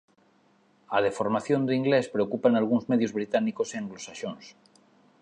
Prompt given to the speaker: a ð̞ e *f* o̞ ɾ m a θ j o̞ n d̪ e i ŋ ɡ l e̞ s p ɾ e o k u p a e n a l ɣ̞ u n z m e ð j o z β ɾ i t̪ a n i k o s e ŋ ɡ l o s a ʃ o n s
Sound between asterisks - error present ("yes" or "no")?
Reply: no